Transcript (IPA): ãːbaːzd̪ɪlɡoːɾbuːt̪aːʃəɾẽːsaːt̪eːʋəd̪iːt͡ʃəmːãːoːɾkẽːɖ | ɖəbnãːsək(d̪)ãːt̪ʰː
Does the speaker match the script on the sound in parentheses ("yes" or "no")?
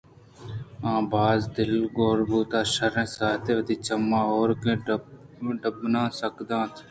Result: yes